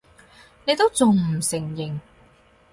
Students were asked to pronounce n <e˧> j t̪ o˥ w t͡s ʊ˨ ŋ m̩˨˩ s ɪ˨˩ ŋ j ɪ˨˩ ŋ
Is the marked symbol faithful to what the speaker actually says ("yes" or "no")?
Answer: yes